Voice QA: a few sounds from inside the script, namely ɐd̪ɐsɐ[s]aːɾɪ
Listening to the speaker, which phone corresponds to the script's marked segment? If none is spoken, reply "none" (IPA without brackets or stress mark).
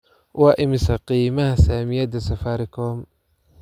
f